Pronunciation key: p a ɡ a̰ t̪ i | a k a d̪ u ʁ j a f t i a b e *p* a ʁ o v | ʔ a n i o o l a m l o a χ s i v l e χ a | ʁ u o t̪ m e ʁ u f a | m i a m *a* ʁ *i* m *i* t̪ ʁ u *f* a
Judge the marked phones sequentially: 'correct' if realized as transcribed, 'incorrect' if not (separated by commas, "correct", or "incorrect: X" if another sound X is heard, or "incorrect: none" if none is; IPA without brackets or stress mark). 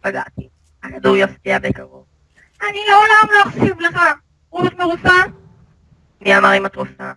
incorrect: k, correct, correct, incorrect: a, correct